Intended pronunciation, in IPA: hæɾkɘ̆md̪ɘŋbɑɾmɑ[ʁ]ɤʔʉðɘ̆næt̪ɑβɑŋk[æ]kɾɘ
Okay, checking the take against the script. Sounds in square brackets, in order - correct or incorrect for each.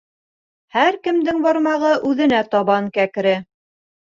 correct, correct

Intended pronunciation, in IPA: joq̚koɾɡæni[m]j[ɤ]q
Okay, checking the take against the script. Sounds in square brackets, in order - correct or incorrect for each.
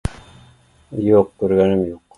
correct, incorrect: o

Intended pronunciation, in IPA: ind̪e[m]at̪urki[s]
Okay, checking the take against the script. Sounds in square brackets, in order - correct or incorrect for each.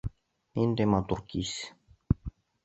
correct, correct

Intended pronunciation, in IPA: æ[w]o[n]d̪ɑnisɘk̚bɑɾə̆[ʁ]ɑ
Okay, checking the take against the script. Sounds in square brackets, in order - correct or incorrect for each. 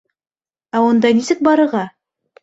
correct, correct, correct

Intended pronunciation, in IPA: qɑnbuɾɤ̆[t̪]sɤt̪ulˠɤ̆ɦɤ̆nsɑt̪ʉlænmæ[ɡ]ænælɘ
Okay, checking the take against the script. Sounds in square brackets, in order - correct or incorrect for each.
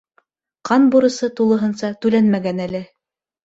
incorrect: none, correct

